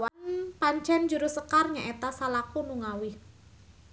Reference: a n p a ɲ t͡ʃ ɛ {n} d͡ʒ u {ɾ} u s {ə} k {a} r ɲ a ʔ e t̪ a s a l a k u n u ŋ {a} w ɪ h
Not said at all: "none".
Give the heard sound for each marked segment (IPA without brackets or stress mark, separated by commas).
n, ɾ, ə, a, a